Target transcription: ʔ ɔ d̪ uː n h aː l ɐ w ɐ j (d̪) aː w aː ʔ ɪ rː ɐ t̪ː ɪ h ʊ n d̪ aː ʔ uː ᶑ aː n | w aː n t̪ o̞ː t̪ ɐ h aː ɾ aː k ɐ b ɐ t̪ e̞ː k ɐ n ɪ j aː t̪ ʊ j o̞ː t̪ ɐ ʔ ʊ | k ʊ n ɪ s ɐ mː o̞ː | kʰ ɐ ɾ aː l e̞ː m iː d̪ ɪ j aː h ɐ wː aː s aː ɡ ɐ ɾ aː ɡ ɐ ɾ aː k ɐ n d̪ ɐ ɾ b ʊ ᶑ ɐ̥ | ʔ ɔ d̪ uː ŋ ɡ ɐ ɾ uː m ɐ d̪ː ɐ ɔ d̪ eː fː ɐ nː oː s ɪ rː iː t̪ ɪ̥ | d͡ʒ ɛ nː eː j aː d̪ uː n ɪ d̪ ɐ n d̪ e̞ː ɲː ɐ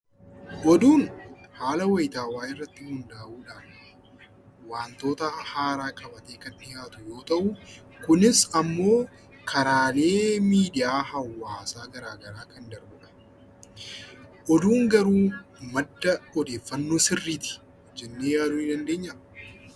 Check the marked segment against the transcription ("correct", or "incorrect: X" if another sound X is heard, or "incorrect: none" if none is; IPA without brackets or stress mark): incorrect: t̪